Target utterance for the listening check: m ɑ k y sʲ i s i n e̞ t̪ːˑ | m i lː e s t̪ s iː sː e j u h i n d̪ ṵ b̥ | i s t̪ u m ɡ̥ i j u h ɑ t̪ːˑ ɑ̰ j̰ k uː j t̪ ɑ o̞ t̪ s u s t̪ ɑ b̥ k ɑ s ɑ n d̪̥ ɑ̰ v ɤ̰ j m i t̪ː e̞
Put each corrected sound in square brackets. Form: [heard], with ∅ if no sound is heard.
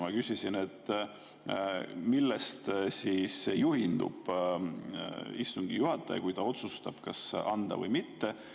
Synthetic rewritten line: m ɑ k y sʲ i s i n e̞ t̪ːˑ | m i lː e s t̪ s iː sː e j u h i n d̪ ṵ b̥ | i s t̪ u [ŋ] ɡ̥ i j u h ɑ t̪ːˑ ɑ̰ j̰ k [u] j t̪ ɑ o̞ t̪ s u s t̪ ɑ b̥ k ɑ s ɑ n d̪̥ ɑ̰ v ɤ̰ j m i t̪ː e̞